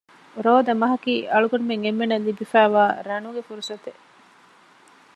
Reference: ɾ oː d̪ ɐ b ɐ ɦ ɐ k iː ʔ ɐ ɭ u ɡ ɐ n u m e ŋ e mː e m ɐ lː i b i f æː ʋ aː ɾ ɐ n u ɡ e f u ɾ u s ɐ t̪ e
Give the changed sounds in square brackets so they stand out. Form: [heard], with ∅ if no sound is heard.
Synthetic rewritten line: ɾ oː d̪ ɐ [m] ɐ ɦ ɐ k iː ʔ ɐ ɭ u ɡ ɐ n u m e ŋ e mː e [n] ɐ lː i b i f æː ʋ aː ɾ ɐ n u ɡ e f u ɾ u s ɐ t̪ e

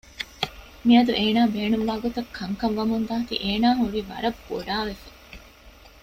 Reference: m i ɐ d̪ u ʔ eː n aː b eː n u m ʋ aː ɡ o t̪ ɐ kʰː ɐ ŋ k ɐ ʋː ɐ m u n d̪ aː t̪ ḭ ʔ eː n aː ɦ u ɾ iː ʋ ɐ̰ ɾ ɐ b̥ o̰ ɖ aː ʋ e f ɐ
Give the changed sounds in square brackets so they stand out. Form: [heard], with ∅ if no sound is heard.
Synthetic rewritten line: m i ɐ d̪ u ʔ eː n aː b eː n u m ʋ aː ɡ o t̪ ɐ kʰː ɐ ŋ k ɐ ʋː ɐ m u n d̪ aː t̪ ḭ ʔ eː n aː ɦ u ɾ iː ʋ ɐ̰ ɾ ɐ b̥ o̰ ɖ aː ʋ e f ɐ

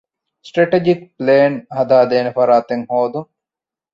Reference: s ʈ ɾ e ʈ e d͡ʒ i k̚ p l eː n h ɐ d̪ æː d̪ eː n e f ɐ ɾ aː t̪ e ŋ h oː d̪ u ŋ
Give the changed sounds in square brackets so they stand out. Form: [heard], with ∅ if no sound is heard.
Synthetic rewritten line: s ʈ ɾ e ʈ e d͡ʒ i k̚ p l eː n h ɐ d̪ [aː] d̪ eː n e f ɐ ɾ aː t̪ e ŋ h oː d̪ u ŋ

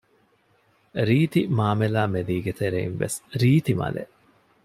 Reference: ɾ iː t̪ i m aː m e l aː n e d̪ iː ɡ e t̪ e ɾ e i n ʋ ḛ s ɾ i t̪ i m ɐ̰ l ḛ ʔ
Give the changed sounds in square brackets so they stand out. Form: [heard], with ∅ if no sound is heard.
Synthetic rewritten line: ɾ iː t̪ i m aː m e l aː [m] e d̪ iː ɡ e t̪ e ɾ e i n ʋ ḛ s ɾ [iː] t̪ i m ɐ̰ l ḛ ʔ

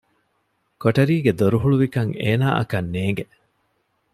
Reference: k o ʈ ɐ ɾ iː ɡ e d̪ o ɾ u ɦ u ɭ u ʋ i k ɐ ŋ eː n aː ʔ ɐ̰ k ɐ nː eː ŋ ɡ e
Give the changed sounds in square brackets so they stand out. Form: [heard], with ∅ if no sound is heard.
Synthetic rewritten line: k o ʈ ɐ ɾ iː ɡ e d̪ o ɾ u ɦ u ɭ u ʋ i k ɐ ŋ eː n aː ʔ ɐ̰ k ɐ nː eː ŋ ɡ e

